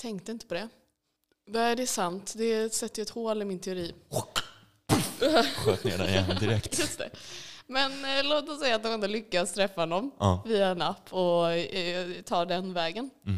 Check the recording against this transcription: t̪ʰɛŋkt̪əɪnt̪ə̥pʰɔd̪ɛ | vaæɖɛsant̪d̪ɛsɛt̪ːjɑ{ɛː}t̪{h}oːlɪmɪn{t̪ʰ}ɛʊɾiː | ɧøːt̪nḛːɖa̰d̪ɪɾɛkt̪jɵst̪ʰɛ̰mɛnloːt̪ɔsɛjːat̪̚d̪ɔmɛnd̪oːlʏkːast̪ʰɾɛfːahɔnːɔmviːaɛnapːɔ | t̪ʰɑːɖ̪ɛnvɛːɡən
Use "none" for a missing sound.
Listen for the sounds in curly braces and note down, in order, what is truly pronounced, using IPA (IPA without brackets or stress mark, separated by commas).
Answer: ɛ, h, t̪ʰ